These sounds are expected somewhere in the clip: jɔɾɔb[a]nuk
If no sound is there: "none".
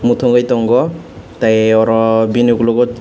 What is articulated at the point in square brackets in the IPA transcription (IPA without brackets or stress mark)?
i